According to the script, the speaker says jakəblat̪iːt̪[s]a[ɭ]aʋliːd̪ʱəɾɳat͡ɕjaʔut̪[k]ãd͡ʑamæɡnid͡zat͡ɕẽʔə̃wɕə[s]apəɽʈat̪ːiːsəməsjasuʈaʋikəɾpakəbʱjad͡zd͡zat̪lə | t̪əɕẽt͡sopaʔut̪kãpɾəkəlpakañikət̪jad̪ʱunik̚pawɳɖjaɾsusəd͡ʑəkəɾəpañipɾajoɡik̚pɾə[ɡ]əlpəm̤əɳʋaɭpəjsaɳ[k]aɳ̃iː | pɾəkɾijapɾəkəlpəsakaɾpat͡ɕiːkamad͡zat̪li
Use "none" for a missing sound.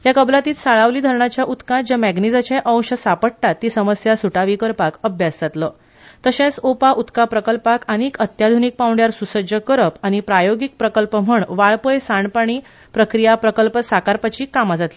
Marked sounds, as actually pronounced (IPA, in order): s, ɭ, k, s, k, p

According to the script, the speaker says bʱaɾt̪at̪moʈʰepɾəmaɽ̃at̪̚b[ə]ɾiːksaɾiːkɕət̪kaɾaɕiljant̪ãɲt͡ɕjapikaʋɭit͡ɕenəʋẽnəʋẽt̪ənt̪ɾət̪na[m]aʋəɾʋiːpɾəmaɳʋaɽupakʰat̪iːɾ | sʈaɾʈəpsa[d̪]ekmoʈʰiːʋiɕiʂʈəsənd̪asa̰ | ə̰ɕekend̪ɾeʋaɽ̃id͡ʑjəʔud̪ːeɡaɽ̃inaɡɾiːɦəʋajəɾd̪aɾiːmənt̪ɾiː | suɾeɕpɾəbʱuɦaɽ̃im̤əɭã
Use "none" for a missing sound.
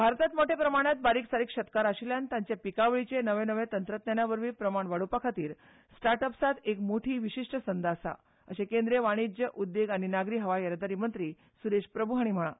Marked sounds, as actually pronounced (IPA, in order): a, n, t̪

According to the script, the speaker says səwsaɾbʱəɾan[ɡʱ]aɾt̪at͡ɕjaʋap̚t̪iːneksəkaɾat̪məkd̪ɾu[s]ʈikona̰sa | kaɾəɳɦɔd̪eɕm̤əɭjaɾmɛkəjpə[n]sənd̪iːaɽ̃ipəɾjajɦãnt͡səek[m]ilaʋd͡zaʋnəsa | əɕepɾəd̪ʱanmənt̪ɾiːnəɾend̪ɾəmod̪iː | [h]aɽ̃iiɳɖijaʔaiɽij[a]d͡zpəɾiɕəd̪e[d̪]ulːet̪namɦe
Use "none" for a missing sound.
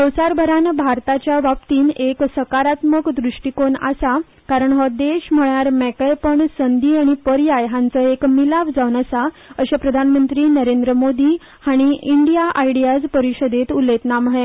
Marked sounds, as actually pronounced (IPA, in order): bʱ, ʂ, ɳ, m, h, a, t̪

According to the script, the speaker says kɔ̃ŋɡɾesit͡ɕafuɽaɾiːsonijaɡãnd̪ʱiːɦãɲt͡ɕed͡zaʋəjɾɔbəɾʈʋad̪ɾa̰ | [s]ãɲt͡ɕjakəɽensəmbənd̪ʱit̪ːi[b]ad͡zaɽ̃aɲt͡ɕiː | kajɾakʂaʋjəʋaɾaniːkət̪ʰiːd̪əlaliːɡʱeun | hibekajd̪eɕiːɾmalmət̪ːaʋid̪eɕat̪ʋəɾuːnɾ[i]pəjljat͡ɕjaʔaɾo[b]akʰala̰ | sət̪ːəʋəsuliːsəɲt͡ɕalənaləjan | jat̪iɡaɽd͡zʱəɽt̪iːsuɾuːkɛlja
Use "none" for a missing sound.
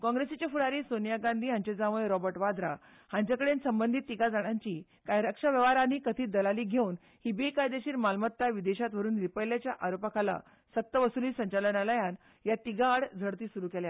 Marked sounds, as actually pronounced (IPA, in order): h, ɡ, i, p

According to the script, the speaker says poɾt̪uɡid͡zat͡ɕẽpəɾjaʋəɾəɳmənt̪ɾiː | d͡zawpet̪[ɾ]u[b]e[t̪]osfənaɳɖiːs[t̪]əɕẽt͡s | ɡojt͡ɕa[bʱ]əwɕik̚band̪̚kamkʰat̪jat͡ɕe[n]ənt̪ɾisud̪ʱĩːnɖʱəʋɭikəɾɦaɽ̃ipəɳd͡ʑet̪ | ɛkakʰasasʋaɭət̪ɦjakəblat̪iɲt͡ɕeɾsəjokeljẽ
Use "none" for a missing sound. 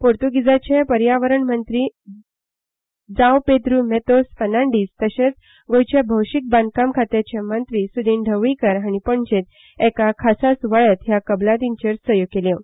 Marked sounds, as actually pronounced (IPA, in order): ɾ, m, t̪, t̪, bʱ, m

